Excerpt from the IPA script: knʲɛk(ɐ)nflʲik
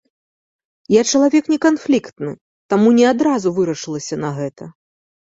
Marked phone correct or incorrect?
incorrect